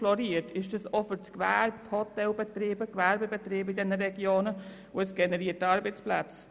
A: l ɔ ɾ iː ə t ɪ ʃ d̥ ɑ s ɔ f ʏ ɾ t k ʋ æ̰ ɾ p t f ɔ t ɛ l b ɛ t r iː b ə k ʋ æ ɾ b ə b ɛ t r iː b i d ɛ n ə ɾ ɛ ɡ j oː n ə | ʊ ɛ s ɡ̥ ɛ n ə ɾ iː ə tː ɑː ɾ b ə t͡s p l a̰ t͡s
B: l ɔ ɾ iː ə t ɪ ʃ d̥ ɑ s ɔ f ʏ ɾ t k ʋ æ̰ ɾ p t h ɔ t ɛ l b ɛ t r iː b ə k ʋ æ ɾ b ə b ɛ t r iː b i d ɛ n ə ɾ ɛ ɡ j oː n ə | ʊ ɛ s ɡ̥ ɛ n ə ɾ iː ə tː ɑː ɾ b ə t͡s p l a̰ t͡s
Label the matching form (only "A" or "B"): B